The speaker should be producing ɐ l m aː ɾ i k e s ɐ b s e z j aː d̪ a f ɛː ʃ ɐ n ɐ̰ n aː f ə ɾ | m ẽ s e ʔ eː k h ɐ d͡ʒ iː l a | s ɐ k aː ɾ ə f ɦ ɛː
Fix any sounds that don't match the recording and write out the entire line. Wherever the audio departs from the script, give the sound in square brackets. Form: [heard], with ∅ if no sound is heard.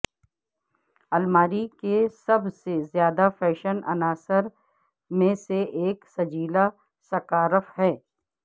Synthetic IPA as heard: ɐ l m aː ɾ i k e s ɐ b s e z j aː d̪ a f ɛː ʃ [ə] n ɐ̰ n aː [s] ə ɾ | m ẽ s e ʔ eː k [s] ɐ d͡ʒ iː l a | s ɐ k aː ɾ ə f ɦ ɛː